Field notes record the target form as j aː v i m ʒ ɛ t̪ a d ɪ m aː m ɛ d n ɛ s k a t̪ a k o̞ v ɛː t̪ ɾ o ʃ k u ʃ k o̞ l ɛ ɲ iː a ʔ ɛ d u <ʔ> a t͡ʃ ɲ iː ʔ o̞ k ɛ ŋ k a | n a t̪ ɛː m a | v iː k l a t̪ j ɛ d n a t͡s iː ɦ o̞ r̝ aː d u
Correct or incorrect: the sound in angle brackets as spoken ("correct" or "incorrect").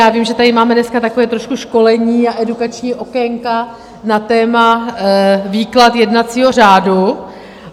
incorrect